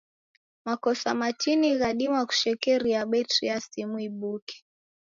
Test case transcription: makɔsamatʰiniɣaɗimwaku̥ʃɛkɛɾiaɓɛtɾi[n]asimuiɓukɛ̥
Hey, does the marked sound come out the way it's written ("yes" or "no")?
no